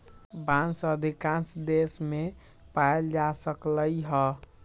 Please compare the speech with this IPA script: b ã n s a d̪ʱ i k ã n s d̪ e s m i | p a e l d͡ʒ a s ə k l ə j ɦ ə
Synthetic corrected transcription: b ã n s ə d̪ʱ i k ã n s d̪ e s m e | p a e l d͡ʒ a s ə k l ə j ɦ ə